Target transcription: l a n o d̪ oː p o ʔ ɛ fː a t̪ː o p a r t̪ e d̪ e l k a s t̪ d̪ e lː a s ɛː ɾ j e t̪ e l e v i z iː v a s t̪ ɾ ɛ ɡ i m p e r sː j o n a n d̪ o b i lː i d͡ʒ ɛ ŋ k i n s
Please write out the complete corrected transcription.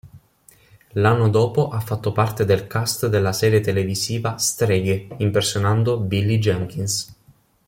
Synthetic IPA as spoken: l a nː o d̪ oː p o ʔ a fː a t̪ː o p a r t̪ e d̪ e l k a s t̪ d̪ e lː a s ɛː ɾ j e t̪ e l e v i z iː v a s t̪ ɾ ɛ ɡ i m p e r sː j o n a n d̪ o b i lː i d͡ʒ ɛ ŋ k i n s